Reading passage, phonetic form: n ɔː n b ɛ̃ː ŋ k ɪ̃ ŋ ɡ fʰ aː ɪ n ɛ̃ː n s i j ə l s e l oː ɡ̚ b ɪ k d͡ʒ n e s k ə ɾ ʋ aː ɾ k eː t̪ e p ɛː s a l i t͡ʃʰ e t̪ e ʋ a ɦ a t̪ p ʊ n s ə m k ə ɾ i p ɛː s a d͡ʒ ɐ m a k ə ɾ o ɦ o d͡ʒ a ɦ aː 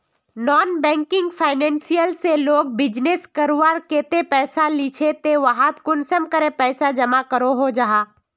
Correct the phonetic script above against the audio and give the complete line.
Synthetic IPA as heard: n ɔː n b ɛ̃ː ŋ k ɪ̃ ŋ ɡ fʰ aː ɪ n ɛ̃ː n s i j ə l s e l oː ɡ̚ b ɪ d͡ʒ n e s k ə ɾ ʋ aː ɾ k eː t̪ e p ɛː s a l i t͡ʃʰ e t̪ e ʋ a ɦ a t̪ k ʊ n s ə m k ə ɾ e p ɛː s a d͡ʒ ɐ m a k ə ɾ o ɦ o d͡ʒ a ɦ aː

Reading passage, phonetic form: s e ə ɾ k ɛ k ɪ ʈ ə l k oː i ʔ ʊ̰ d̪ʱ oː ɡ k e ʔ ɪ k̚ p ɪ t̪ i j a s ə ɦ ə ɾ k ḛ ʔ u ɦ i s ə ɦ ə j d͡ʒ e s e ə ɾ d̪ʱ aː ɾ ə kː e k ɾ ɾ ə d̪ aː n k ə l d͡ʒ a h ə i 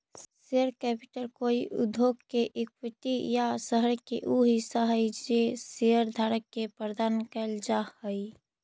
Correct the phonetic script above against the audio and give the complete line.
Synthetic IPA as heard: s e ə ɾ k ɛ p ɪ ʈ ə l k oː i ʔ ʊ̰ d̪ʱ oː ɡ k e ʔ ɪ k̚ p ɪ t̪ i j a s ə ɦ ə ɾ k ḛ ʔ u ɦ i s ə ɦ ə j d͡ʒ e s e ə ɾ d̪ʱ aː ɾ ə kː e p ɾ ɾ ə d̪ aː n k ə l d͡ʒ a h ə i

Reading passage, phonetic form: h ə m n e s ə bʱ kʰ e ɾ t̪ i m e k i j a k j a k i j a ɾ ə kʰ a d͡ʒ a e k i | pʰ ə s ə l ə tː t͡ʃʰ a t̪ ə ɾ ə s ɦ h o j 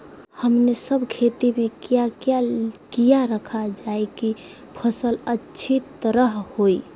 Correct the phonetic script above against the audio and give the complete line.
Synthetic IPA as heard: h ə m n e s ə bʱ kʰ e t̪ i m e k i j a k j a k i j a ɾ ə kʰ a d͡ʒ a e k i | pʰ ə s ə l ə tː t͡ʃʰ i t̪ ə ɾ ə ɦ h o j

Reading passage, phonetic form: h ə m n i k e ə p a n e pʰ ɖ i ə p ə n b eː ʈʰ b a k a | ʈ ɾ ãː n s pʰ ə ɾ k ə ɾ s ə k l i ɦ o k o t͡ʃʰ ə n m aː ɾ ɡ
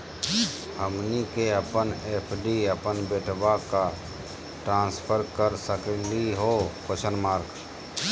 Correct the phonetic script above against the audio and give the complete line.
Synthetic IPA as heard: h ə m n i k e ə p ə n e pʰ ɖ i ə p ə n b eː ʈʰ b a k a | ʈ ɾ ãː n s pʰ ə ɾ k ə ɾ s ə k l i ɦ o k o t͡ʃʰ ə n m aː ɾ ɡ

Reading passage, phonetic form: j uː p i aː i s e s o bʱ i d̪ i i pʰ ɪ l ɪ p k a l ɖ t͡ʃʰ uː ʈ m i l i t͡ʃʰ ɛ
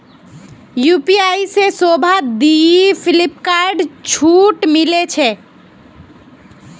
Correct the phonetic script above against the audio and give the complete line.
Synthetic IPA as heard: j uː p i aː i s e s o bʱ a d̪ i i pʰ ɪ l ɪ p k a ɾ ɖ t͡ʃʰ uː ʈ m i l e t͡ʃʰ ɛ

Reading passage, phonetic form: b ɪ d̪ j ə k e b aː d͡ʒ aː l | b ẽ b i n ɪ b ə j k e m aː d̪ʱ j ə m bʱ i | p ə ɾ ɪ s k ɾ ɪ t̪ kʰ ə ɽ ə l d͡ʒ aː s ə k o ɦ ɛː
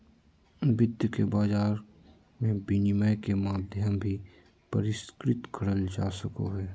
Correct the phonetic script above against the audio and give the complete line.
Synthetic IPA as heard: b ɪ d̪ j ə k e b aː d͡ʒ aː ɾ | m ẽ b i n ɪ m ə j k e m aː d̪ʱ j ə m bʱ i | p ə ɾ ɪ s k ɾ ɪ t̪ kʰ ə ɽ ə l d͡ʒ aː s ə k o ɦ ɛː

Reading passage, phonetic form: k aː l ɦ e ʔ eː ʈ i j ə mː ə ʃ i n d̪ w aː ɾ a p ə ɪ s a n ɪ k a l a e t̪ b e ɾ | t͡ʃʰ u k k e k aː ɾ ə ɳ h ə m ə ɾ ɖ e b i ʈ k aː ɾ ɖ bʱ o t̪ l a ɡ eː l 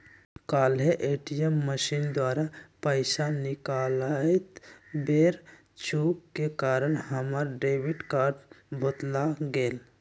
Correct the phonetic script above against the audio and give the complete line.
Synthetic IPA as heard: k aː l ɦ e ʔ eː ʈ i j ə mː ə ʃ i n d̪ w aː ɾ a p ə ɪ s a n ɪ k a l a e t̪ b e ɾ | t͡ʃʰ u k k e k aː ɾ ə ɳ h ə m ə ɾ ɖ e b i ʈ k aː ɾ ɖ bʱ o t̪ l a ɡ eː l

